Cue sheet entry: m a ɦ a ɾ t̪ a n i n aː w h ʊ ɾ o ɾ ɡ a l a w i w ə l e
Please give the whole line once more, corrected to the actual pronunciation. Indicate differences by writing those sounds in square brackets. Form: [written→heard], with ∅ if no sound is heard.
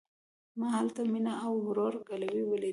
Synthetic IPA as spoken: m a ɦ a [ɾ→l] t̪ a [n→m] i n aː w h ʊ ɾ o ɾ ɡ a l a w i w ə l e